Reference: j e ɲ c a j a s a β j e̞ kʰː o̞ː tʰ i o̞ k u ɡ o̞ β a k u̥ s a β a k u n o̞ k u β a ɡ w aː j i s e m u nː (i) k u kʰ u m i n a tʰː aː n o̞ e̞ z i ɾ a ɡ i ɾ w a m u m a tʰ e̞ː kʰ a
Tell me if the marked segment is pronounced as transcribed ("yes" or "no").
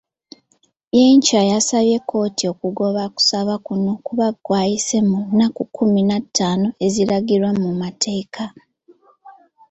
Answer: no